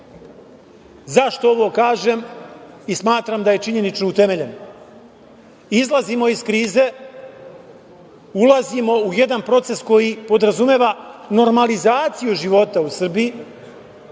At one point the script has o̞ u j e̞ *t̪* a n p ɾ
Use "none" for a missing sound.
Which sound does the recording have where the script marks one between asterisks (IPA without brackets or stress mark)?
d̪